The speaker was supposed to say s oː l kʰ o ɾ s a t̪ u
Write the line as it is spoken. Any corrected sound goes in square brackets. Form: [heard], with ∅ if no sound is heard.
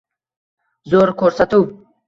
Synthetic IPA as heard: [z] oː [ɾ] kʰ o ɾ s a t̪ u